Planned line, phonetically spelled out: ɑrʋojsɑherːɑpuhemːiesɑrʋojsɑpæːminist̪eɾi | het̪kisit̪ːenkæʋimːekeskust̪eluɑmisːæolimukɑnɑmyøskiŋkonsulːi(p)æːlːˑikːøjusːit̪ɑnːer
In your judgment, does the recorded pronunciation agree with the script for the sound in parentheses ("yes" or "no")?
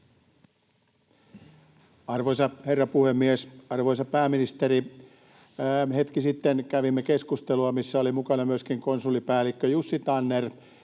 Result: yes